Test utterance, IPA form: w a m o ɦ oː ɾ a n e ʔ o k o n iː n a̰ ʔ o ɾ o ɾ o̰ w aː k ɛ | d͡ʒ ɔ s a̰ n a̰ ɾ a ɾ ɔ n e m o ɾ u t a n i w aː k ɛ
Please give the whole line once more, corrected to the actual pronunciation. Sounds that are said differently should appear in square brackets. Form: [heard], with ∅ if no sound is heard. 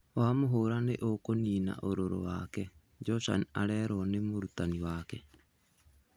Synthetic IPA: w a m o ɦ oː ɾ a n e ʔ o k o n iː n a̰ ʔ o ɾ o ɾ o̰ w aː k ɛ | d͡ʒ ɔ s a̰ n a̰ ɾ [ɛ] ɾ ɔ n e m o ɾ u t a n i w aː k ɛ